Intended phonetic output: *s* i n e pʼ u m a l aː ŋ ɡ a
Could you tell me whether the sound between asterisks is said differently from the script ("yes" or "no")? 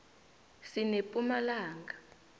no